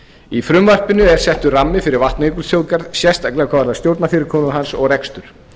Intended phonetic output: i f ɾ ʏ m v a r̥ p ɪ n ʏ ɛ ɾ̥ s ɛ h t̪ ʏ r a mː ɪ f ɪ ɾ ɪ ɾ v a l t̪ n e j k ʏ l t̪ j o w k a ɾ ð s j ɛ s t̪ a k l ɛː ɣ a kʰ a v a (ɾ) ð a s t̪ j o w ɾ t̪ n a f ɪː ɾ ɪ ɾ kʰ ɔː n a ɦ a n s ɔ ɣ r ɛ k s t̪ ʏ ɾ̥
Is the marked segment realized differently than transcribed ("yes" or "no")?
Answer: no